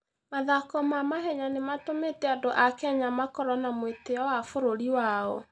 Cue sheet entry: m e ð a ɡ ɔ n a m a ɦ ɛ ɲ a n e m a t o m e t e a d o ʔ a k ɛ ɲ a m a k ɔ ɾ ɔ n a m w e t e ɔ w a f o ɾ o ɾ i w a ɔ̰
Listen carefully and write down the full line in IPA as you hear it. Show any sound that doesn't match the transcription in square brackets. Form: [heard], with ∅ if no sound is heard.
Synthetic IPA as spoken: m [a] ð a [k] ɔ [m] a m a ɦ ɛ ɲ a n e m a t o m e t [ɛ] a d o ʔ a k ɛ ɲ a m a k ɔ ɾ ɔ n a m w e t e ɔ w a f o ɾ o ɾ i w a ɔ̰